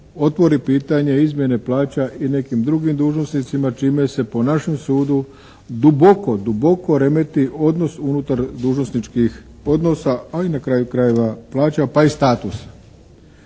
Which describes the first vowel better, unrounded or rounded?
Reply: rounded